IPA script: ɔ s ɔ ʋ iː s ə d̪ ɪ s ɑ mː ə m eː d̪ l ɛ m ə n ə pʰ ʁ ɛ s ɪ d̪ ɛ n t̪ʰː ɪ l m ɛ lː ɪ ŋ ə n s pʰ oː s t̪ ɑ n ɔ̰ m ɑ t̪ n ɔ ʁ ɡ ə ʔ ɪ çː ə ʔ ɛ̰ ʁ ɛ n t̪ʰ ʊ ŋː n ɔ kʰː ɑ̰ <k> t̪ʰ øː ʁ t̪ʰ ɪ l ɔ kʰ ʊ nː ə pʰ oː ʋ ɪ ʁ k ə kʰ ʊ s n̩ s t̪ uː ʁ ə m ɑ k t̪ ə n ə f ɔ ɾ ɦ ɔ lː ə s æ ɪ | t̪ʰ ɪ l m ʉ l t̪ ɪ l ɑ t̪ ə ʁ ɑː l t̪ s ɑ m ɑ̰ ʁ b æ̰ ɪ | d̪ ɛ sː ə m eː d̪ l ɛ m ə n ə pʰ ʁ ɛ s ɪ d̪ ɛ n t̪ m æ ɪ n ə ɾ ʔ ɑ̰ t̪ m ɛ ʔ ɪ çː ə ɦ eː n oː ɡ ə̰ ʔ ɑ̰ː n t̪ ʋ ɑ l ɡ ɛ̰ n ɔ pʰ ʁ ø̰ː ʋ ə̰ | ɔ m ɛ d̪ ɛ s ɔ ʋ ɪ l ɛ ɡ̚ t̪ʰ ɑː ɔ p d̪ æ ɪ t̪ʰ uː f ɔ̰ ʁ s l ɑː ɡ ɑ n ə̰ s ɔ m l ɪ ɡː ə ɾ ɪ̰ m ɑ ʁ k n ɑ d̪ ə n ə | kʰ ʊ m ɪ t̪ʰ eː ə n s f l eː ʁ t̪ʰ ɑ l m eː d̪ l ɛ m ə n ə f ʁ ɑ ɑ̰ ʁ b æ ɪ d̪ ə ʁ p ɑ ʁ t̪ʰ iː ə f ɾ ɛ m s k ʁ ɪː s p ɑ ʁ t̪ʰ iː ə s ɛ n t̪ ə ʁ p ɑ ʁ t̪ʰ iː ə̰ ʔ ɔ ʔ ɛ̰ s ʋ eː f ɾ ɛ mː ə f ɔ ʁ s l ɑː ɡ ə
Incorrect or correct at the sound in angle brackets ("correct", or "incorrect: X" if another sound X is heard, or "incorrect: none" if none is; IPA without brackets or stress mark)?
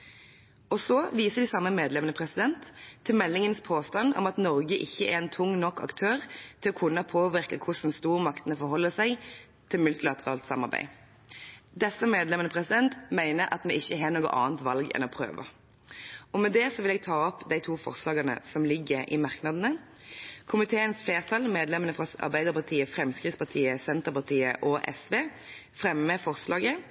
correct